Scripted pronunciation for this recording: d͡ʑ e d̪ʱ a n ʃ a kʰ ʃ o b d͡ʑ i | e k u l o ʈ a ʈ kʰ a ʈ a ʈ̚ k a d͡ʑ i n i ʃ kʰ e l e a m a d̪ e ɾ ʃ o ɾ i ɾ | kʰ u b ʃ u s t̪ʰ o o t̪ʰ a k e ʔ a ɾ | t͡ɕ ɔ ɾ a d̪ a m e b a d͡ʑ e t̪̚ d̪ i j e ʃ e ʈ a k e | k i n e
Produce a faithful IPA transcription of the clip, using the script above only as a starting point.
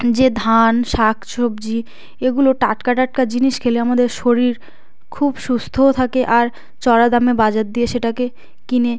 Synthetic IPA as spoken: d͡ʑ e d̪ʱ a n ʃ a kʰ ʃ o b d͡ʑ i | e ɡ u l o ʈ a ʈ k a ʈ a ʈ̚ k a d͡ʑ i n i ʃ kʰ e l e a m a d̪ e ɾ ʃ o ɾ i ɾ | kʰ u b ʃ u s t̪ʰ o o t̪ʰ a k e ʔ a ɾ | t͡ɕ ɔ ɾ a d̪ a m e b a d͡ʑ a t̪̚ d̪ i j e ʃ e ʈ a k e | k i n e